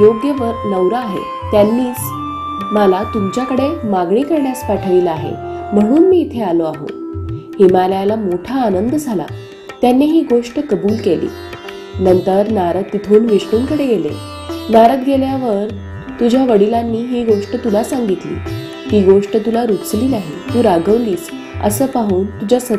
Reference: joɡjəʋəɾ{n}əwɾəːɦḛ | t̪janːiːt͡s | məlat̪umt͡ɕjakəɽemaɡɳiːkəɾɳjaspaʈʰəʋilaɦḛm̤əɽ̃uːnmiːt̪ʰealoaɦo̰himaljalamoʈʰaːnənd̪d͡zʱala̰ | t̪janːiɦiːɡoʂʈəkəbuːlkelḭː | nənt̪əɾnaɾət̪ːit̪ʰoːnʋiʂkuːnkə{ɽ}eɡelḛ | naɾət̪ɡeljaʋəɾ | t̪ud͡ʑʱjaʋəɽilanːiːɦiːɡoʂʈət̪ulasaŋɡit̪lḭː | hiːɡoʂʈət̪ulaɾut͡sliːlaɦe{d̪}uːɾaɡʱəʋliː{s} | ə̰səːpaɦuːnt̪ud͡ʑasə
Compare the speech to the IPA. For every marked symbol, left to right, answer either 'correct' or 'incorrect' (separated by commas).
correct, correct, incorrect, correct